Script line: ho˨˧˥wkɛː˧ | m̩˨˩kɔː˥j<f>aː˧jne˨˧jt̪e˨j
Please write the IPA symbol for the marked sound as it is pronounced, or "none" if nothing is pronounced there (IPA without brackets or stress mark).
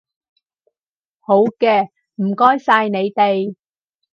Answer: s